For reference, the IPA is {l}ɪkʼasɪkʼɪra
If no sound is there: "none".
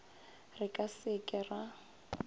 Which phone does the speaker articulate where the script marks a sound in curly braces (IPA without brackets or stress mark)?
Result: r